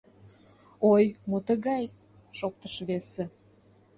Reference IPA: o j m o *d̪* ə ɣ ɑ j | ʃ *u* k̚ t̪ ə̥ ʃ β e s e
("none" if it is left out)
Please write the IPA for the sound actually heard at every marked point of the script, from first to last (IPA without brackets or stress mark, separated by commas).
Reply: t̪, o